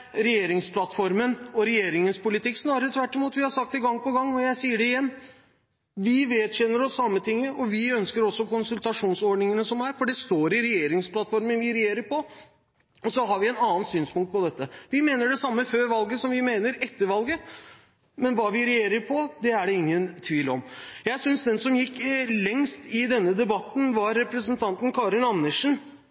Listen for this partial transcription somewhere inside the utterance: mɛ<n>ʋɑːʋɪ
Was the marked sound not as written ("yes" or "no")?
no